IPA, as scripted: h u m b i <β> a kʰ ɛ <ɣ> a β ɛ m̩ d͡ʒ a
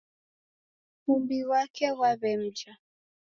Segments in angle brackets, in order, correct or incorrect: incorrect, incorrect

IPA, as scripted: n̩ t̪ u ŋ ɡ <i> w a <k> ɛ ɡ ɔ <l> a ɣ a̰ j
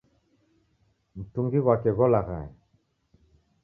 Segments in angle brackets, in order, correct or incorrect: correct, correct, correct

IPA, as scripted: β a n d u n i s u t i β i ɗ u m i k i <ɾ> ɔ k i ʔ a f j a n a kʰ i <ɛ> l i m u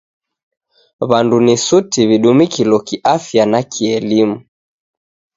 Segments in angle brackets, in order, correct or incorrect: incorrect, correct

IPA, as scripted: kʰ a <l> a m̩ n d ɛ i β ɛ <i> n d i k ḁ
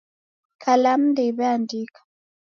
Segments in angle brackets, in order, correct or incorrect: correct, incorrect

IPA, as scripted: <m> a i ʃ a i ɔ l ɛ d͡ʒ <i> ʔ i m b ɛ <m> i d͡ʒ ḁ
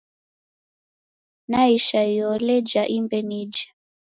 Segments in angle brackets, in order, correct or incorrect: incorrect, incorrect, incorrect

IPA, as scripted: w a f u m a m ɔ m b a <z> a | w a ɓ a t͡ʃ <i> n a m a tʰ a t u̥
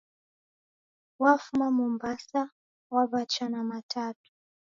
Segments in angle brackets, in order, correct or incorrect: incorrect, incorrect

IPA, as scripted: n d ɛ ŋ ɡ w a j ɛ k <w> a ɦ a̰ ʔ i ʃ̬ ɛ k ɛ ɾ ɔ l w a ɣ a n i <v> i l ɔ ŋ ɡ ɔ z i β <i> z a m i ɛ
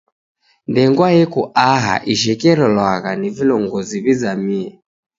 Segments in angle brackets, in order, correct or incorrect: incorrect, correct, correct

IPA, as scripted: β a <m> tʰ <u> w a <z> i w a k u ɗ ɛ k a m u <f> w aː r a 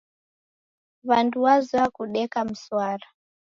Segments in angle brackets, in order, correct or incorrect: incorrect, correct, correct, incorrect

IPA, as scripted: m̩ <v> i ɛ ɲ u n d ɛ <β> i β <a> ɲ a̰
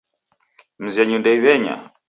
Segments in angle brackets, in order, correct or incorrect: incorrect, incorrect, incorrect

